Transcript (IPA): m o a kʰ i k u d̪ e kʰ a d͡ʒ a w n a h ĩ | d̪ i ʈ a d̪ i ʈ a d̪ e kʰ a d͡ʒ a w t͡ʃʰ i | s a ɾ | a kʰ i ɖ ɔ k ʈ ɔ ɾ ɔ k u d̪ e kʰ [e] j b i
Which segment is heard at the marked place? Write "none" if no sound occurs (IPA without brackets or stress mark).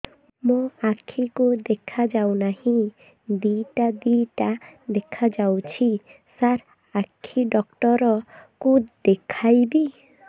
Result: a